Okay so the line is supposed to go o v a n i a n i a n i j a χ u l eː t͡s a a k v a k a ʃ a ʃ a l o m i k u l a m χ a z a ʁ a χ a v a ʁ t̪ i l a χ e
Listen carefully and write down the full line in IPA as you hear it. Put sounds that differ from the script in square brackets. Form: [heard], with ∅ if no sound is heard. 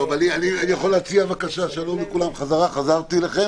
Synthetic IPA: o v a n i a n i a n i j a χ [o] l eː t͡s [i] a [∅] v a k a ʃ a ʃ a l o m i k u l a m χ a z a ʁ a χ a [z] a ʁ t̪ i l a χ e